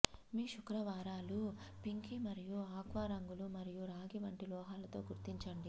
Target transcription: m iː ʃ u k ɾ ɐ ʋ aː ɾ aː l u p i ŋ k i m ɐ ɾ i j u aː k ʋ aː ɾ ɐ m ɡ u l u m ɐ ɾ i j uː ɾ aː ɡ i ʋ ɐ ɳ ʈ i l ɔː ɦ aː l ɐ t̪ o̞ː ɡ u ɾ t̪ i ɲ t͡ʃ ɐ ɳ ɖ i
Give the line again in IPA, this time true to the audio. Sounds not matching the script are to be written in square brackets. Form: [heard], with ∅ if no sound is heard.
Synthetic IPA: m iː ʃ u k ɾ ɐ ʋ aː ɾ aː l u p i ŋ k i m ɐ ɾ i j u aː k ʋ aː ɾ ɐ [ŋ] ɡ u l u m ɐ ɾ i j [u] ɾ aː ɡ i ʋ ɐ ɳ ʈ i l ɔː ɦ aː l ɐ t̪ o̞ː ɡ u ɾ t̪ i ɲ t͡ʃ ɐ ɳ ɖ i